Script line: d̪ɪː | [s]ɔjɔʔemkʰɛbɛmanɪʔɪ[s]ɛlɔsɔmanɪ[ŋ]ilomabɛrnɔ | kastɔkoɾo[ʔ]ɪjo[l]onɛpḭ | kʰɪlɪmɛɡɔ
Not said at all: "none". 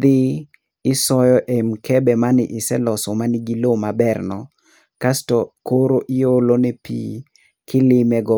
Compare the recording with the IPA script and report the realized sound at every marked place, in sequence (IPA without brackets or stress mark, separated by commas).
s, s, ɡ, ʔ, l